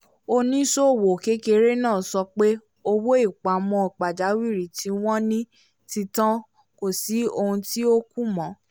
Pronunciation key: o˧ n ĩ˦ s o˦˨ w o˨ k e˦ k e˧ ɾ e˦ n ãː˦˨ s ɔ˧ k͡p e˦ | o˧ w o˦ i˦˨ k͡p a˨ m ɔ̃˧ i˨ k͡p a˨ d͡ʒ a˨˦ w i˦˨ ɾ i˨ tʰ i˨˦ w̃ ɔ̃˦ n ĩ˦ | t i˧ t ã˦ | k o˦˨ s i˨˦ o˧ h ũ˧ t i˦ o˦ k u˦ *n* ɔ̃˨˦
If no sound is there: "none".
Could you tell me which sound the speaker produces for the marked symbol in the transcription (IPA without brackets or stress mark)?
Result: m